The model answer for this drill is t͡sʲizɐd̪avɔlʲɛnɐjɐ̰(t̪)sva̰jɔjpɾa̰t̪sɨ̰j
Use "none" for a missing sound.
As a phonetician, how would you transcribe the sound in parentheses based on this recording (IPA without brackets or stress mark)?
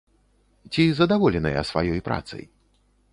none